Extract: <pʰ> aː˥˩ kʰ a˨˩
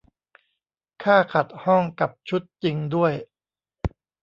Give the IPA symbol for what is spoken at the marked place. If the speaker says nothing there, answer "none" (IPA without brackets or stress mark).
kʰ